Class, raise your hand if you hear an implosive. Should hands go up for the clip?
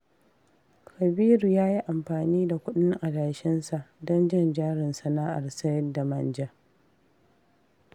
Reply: yes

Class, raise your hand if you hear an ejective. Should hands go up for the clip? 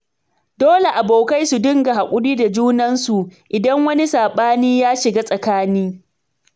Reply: yes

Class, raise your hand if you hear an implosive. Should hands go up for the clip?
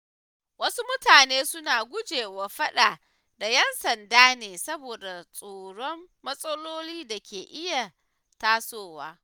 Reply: yes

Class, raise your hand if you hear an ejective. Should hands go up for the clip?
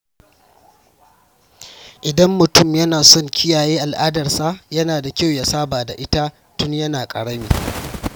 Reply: yes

